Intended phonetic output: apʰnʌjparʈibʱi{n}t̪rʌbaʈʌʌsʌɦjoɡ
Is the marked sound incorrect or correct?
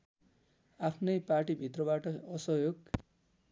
incorrect